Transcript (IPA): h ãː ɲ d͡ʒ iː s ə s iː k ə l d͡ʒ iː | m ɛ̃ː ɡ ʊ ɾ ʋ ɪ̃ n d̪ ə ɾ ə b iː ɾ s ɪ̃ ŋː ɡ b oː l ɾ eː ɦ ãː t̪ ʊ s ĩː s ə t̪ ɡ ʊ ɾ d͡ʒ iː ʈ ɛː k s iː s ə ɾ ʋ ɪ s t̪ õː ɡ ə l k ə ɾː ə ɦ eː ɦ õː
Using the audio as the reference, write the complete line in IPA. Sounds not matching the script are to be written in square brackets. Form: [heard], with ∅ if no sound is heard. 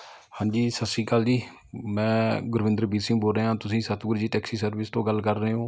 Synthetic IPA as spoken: h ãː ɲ d͡ʒ iː s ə s iː k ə l d͡ʒ iː | m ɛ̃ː ɡ ʊ ɾ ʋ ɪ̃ n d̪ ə ɾ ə b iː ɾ s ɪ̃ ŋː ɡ b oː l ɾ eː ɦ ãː t̪ ʊ s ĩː s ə t̪ ɡ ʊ ɾ d͡ʒ iː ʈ ɛː k s iː s ə ɾ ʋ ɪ s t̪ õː ɡ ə l k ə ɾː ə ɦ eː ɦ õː

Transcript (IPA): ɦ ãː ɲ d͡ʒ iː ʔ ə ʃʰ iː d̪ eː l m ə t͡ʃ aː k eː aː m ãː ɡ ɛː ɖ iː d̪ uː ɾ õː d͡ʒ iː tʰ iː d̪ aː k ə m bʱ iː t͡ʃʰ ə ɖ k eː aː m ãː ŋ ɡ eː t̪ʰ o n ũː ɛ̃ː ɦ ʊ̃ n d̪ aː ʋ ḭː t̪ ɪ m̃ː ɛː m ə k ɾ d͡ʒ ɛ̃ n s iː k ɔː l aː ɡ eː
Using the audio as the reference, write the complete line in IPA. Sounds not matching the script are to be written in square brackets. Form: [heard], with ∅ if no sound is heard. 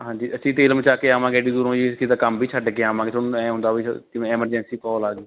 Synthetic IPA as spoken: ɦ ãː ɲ d͡ʒ iː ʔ ə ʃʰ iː [t̪] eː l m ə t͡ʃ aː k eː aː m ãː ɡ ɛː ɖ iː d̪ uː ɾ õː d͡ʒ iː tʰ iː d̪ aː k ə m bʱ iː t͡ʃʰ ə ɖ k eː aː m ãː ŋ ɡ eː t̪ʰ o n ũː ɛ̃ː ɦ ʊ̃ n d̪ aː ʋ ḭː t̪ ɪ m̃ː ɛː m ə [∅] ɾ d͡ʒ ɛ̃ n s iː k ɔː l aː ɡ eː

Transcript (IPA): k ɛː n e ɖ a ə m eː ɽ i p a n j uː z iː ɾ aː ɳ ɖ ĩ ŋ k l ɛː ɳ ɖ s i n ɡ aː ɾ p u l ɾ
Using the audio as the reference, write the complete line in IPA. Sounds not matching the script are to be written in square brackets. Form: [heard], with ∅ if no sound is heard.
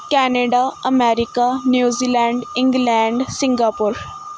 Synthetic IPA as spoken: k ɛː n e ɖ a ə m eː [ɾ] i [k] a n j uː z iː [l] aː ɳ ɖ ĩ ŋ [ɡ] l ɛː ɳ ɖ s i [ŋ] ɡ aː [∅] p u [∅] ɾ

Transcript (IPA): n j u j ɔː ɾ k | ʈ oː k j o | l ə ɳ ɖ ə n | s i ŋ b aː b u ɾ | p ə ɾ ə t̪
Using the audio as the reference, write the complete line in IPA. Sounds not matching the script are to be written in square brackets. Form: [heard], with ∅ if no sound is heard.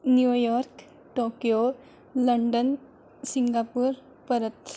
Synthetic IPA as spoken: n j u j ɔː ɾ k | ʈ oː k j o | l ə ɳ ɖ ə n | s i ŋ [ɡ] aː [p] u ɾ | p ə ɾ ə t̪

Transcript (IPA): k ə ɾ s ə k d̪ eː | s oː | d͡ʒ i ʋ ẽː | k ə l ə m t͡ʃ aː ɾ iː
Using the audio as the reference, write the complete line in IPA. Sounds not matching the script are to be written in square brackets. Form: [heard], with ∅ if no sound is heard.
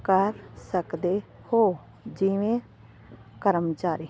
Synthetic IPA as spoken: k ə ɾ s ə k d̪ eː | [h] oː | d͡ʒ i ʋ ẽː | k ə [ɾ] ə m t͡ʃ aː ɾ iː

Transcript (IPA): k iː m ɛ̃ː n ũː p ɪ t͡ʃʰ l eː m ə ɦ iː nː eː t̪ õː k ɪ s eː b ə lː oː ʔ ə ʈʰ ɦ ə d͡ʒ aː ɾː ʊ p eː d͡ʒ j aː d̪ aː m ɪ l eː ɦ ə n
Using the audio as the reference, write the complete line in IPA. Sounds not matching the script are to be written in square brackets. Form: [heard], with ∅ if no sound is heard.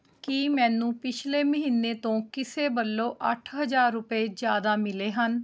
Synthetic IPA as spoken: k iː m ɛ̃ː n ũː p ɪ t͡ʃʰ l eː m ə ɦ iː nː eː t̪ õː k ɪ s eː b ə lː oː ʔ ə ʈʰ ɦ ə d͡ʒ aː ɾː ʊ p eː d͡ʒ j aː d̪ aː m ɪ l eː ɦ ə n

